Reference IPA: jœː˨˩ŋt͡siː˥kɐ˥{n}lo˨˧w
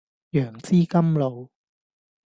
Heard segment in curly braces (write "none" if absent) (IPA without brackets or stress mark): m